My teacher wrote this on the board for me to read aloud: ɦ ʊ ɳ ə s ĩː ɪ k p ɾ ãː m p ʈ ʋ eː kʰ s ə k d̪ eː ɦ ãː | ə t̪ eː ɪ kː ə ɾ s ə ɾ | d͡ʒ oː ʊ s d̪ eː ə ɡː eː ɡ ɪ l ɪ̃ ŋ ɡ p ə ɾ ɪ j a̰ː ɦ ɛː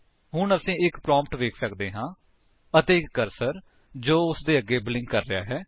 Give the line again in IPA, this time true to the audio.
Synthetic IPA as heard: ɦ ʊ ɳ ə s ĩː ɪ k p ɾ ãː m p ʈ ʋ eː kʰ s ə k d̪ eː ɦ ãː | ə t̪ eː ɪ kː ə ɾ s ə ɾ | d͡ʒ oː ʊ s d̪ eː ə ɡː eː b ɪ l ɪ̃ ŋ ɡ k ə ɾː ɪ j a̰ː ɦ ɛː